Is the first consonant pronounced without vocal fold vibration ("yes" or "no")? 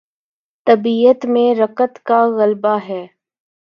yes